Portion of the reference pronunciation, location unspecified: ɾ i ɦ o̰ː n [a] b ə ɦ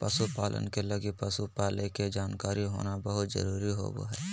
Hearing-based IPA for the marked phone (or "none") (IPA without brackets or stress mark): a